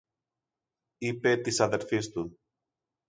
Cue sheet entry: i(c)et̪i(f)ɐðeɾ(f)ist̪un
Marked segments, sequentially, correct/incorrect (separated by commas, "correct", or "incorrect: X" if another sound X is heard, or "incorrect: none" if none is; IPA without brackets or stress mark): incorrect: p, incorrect: s, correct